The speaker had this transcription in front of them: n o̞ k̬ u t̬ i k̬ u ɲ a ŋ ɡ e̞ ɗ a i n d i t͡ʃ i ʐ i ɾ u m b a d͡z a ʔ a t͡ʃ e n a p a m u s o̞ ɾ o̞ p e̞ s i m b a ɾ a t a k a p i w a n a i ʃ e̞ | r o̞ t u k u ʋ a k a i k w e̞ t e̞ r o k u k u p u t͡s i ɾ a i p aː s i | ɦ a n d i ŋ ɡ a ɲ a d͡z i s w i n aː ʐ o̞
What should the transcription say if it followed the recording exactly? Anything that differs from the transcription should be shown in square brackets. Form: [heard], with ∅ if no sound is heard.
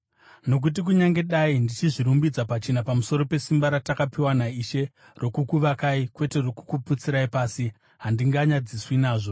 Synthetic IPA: n o̞ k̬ u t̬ i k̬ u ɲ a ŋ ɡ e̞ ɗ a i n d i t͡ʃ i ʐ i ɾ u m b [i] d͡z a [p] a t͡ʃ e n a p a m u s o̞ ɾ o̞ p e̞ s i m b a ɾ a t a k a p i w a n a i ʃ e̞ | r o̞ [k] u k u ʋ a k a i k w e̞ t e̞ r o k u k u p u t͡s i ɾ a i p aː s i | ɦ a n d i ŋ ɡ a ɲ a d͡z i s w i n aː ʐ o̞